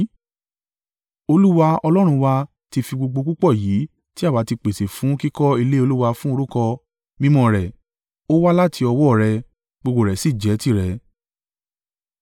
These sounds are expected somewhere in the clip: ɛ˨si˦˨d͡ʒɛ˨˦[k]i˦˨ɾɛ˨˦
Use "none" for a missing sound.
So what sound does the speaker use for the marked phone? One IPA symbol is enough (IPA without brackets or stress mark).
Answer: t